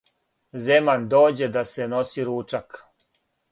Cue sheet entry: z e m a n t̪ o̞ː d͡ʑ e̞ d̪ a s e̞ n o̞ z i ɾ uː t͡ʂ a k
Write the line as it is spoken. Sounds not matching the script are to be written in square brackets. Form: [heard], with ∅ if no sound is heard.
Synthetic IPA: z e m a n [d̪] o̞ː d͡ʑ e̞ d̪ a s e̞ n o̞ [s] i ɾ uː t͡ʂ a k